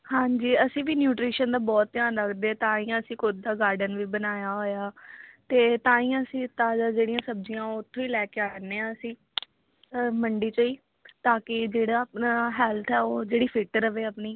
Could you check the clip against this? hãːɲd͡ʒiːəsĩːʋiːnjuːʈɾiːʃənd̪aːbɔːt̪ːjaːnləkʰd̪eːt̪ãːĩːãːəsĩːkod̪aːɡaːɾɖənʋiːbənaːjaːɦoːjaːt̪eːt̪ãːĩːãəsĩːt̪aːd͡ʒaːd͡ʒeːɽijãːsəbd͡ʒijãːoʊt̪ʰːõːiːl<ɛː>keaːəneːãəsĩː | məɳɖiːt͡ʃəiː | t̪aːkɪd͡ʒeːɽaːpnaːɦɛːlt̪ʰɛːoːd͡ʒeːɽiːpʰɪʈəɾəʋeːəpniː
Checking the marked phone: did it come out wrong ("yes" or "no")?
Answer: no